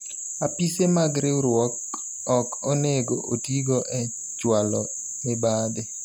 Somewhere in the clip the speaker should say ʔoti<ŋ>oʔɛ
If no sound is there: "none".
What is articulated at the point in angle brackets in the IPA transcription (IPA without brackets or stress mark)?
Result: ɡ